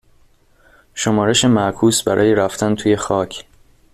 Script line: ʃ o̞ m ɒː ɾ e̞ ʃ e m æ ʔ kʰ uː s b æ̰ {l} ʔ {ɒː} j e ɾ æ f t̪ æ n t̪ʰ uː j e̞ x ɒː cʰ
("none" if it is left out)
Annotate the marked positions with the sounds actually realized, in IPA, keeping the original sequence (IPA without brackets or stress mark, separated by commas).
ɾ, ɒː